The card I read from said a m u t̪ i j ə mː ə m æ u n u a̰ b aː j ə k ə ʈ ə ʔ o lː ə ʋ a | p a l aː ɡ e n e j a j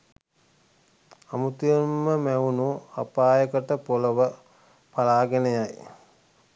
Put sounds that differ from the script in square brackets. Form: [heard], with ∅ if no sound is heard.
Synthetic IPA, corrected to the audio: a m u t̪ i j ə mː ə m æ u n u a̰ [p] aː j ə k ə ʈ ə [p] o [l] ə ʋ [ə] | p a l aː ɡ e n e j a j